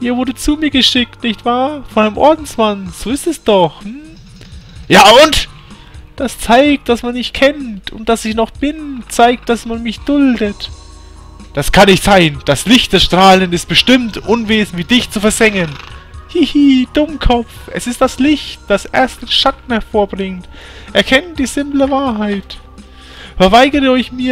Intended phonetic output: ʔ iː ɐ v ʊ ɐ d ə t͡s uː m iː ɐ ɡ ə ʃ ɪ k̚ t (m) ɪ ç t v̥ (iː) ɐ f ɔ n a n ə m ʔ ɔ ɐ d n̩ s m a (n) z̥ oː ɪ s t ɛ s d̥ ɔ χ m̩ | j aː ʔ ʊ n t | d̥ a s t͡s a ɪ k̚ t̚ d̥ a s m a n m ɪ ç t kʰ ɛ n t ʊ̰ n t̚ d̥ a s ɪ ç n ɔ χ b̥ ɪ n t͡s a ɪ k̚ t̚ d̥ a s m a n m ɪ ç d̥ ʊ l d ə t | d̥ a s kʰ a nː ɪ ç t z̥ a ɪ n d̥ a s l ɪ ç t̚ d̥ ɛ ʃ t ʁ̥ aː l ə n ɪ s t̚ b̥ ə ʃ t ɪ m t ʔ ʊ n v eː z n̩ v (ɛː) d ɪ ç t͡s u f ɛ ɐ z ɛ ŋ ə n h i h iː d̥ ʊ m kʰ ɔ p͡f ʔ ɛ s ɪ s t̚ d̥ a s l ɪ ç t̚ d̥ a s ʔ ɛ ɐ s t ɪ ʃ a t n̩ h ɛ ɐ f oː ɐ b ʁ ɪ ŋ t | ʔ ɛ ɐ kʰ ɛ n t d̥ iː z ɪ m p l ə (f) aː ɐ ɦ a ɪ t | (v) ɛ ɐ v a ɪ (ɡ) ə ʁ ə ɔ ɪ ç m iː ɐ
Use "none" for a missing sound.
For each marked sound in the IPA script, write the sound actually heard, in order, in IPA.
n, aː, n, iː, v, f, ɡ

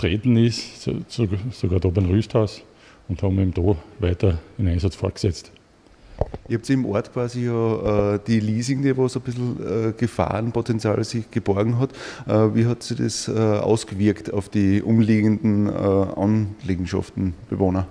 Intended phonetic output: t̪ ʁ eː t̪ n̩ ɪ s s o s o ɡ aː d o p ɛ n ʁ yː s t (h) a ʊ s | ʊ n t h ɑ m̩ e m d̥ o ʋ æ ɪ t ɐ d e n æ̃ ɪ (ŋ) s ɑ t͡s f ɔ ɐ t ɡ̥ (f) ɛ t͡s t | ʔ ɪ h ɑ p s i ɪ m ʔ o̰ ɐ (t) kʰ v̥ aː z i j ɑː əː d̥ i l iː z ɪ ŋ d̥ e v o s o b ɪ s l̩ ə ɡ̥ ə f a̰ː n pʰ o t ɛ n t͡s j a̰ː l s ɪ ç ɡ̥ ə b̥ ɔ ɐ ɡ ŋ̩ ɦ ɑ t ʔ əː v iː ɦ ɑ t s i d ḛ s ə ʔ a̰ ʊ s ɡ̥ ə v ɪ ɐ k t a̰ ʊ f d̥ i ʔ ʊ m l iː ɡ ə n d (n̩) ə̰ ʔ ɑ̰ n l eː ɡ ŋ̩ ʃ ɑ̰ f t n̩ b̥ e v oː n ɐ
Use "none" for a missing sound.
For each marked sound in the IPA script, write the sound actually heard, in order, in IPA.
h, n, s, t, n̩

